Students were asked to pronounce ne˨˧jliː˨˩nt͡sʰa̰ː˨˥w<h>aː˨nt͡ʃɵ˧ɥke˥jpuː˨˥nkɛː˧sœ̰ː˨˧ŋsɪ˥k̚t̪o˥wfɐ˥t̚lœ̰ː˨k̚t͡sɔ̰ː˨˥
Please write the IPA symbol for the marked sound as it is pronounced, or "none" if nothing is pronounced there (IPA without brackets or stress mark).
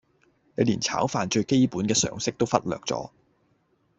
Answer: f